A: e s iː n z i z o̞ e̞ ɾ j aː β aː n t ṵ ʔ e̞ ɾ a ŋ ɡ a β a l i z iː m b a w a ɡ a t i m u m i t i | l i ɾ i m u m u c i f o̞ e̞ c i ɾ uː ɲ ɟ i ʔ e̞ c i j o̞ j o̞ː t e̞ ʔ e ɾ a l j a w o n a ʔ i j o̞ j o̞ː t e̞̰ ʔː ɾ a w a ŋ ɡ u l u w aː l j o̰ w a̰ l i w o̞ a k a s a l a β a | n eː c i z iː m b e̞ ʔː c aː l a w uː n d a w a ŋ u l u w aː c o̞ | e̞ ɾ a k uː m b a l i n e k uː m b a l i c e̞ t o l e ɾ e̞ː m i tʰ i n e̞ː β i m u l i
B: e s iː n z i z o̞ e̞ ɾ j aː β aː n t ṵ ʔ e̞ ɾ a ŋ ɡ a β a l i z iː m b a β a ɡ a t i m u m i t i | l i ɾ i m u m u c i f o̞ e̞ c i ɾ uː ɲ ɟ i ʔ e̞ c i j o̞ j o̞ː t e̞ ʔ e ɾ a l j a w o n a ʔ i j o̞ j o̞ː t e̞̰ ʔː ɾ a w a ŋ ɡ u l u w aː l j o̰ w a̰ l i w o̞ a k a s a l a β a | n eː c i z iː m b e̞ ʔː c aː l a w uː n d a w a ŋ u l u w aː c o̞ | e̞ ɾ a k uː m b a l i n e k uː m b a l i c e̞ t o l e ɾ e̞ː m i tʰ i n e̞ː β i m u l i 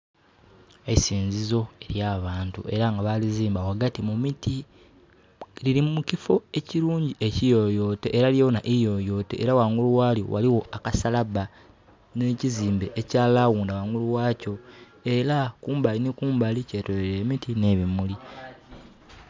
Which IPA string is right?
A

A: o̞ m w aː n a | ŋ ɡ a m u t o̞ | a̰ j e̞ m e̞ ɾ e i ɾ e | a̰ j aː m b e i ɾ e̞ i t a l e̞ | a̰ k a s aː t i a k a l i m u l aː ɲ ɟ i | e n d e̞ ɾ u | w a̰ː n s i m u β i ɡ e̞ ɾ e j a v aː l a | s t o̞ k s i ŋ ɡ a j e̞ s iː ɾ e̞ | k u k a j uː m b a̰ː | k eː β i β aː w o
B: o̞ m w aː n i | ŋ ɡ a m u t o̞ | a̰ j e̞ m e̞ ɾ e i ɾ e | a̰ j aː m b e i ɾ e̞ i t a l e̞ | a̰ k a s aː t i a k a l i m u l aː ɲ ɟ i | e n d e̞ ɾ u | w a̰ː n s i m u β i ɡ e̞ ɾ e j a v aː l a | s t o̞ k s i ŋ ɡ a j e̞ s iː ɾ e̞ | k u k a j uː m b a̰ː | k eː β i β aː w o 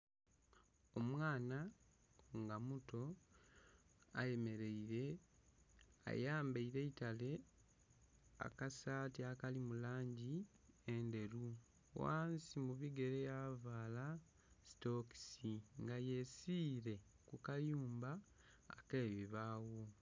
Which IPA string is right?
A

